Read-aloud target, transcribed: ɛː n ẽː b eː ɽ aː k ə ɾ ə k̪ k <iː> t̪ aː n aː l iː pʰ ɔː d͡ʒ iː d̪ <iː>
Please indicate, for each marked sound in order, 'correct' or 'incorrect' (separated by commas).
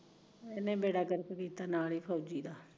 correct, incorrect